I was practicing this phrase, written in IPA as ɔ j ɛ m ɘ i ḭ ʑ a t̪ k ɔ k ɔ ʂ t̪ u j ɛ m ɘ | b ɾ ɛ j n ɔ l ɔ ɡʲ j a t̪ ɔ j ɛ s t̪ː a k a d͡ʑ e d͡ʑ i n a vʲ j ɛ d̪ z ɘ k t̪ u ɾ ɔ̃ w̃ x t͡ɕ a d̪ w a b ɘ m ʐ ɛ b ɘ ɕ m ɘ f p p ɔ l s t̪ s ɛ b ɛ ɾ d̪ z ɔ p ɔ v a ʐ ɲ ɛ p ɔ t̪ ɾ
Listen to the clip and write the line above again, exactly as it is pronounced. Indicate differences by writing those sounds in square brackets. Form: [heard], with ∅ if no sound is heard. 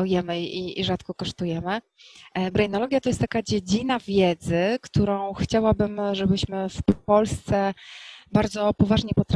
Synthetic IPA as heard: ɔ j ɛ m ɘ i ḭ [ʐ] a t̪ k ɔ k ɔ ʂ t̪ u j ɛ m ɘ | b ɾ ɛ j n ɔ l ɔ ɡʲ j a t̪ ɔ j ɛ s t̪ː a k a d͡ʑ e d͡ʑ i n a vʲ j ɛ d̪ z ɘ k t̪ u ɾ ɔ̃ w̃ x t͡ɕ a [∅] w a b ɘ m ʐ ɛ b ɘ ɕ m ɘ f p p ɔ l s t̪ s ɛ b [a] ɾ d̪ z ɔ p ɔ v a ʐ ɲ ɛ p ɔ t̪ ɾ